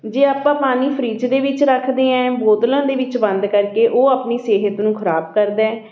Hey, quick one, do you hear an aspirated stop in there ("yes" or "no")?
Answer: yes